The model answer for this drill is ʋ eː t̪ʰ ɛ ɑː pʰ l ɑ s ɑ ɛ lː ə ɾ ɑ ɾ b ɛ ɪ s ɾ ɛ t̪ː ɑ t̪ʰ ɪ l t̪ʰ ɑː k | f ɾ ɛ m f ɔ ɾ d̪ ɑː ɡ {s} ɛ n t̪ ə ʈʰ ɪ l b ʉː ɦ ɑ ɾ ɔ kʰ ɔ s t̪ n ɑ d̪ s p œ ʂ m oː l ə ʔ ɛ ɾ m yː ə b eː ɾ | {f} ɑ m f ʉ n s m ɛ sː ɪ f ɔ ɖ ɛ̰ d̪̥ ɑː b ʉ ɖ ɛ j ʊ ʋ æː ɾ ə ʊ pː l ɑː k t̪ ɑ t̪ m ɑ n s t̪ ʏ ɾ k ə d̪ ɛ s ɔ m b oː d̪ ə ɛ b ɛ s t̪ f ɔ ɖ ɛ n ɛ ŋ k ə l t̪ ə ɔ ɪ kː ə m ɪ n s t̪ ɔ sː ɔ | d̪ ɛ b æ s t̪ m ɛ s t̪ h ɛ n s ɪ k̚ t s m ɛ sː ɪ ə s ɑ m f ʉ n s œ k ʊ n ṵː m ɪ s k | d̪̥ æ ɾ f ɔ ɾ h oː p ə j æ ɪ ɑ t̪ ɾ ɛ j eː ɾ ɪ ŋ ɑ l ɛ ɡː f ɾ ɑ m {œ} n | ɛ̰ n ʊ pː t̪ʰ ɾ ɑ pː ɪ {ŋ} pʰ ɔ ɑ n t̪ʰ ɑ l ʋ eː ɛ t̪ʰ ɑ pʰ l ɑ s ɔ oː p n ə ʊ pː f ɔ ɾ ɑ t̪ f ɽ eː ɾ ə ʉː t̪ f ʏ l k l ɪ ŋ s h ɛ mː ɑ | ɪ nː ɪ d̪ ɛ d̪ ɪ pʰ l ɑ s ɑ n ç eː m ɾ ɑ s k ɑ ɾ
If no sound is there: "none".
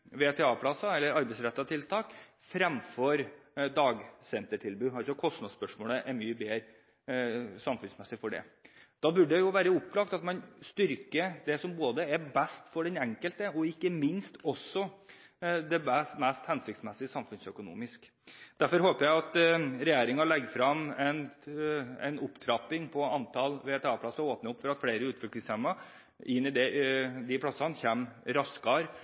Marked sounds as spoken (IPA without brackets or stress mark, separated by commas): s, s, ɛ, ŋ